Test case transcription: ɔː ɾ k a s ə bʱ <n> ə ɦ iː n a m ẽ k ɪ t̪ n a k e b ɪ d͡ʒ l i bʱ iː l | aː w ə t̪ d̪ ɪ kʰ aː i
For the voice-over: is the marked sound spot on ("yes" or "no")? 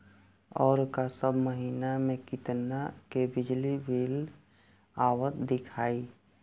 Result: no